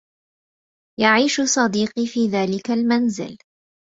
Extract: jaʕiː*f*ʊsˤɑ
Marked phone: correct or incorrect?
incorrect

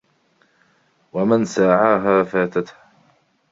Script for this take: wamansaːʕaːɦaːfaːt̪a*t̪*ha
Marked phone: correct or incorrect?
correct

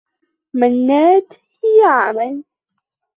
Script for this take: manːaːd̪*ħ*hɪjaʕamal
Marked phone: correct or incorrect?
incorrect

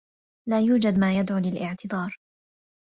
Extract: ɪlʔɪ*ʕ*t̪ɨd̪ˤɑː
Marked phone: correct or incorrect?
correct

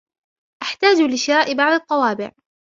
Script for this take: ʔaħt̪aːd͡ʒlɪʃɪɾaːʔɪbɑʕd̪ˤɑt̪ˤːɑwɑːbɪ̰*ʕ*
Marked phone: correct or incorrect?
correct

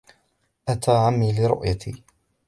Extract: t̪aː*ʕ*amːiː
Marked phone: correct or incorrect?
correct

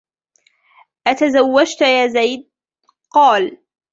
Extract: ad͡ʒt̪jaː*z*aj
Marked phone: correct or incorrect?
correct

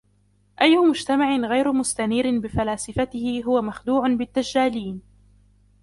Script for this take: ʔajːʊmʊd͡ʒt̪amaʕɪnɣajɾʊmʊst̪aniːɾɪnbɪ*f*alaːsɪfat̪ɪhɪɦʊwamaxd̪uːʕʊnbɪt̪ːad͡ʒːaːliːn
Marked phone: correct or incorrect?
correct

